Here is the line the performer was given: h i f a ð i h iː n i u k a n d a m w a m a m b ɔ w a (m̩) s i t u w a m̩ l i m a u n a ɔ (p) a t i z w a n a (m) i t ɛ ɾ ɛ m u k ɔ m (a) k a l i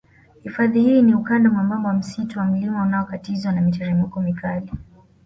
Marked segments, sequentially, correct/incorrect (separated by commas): correct, incorrect, correct, incorrect